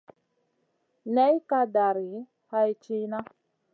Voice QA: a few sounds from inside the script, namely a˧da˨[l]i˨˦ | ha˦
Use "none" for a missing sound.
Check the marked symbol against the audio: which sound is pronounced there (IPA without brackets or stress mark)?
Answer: ɾ